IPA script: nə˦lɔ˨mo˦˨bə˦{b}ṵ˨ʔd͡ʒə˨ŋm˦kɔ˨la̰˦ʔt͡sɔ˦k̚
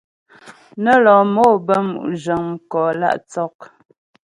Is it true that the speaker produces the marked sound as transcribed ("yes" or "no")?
no